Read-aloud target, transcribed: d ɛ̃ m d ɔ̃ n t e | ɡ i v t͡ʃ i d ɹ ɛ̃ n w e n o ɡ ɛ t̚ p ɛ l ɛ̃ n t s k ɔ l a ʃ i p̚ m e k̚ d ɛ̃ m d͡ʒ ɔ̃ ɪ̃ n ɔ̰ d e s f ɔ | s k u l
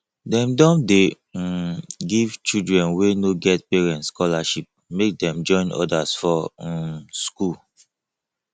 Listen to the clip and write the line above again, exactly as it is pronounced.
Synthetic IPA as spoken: d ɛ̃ m d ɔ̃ n d e | ɡ i v t͡ʃ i d ɹ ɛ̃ n w e n o ɡ ɛ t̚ p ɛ ɹ ɛ̃ n t s k ɔ l a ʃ i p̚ m e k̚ d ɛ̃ m d͡ʒ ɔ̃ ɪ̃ n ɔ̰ d a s f ɔ | s k u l